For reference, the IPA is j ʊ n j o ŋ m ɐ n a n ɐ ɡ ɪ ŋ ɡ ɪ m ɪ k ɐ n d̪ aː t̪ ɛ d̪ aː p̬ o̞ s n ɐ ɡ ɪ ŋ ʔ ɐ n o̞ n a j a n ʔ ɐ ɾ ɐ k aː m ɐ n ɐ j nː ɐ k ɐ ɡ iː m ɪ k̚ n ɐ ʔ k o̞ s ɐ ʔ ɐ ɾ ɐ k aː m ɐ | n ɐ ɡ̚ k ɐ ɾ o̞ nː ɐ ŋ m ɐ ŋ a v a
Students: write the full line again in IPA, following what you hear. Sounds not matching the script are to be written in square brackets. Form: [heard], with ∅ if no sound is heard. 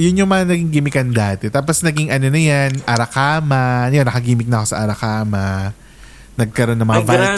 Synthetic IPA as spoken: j ʊ n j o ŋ m ɐ [ŋ] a n ɐ ɡ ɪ ŋ ɡ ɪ m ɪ k ɐ n d̪ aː t̪ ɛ [t̪] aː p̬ o̞ s n ɐ ɡ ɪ ŋ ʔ ɐ n o̞ n [ɐ] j a n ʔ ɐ ɾ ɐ k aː m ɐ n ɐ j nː ɐ k ɐ ɡ iː m ɪ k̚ n ɐ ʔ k o̞ s ɐ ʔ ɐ ɾ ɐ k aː m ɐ | n ɐ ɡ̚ k ɐ ɾ o̞ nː ɐ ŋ m ɐ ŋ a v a